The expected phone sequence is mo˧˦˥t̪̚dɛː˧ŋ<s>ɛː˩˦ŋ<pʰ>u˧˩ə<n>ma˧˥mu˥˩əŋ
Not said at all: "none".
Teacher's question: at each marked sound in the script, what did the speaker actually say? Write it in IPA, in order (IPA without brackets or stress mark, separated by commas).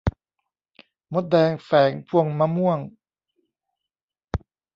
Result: f, pʰ, ŋ